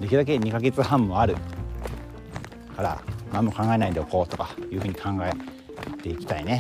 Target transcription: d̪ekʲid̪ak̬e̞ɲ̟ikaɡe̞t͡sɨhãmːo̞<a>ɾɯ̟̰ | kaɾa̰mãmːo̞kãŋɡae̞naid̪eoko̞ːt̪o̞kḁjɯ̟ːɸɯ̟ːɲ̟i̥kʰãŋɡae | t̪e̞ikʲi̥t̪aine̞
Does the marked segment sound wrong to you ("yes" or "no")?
no